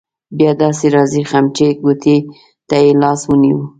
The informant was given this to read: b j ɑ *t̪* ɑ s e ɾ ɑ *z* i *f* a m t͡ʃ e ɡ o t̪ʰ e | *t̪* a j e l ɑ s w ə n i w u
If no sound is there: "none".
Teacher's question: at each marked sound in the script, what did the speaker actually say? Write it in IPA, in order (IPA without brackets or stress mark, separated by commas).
d̪, z, x, t̪